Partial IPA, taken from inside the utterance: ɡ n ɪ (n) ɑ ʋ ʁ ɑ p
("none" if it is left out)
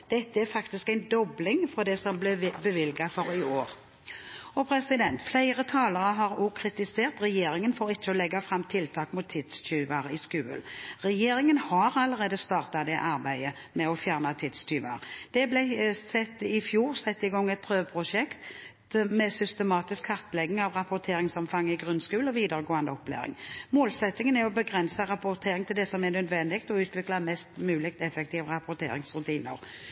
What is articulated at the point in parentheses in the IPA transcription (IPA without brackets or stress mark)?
ŋ